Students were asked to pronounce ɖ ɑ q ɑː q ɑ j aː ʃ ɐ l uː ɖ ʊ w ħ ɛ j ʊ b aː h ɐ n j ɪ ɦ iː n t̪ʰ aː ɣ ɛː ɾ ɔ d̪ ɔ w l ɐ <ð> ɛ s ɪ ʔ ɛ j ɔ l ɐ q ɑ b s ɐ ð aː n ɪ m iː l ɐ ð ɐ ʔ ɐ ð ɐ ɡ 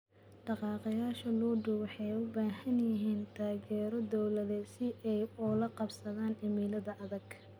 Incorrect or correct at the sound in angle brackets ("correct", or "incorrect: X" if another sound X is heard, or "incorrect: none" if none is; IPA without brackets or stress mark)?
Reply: correct